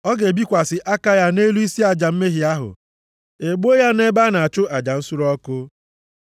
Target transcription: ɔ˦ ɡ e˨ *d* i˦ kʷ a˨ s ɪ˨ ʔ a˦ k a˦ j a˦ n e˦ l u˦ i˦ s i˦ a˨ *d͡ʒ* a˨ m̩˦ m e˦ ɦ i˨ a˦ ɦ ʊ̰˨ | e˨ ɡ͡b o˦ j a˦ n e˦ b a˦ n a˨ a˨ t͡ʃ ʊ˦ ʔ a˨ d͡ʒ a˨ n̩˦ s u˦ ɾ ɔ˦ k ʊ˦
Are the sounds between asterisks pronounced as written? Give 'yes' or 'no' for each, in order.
no, yes

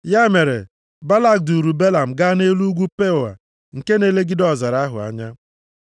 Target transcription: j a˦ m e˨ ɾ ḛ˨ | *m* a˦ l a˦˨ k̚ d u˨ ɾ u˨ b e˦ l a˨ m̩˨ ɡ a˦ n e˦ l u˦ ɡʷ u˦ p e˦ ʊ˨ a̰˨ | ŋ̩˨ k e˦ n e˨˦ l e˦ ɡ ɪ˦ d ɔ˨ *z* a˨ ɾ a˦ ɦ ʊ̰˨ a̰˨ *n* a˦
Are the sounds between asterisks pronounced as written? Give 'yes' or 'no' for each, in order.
no, yes, no

